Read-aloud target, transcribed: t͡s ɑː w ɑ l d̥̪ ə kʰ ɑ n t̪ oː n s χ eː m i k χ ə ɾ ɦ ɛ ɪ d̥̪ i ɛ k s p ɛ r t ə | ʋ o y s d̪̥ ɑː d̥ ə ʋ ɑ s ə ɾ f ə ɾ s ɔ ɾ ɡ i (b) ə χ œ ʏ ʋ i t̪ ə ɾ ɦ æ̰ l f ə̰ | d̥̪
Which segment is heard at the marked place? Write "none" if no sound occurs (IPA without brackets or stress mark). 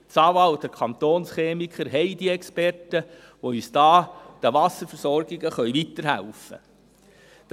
ɡ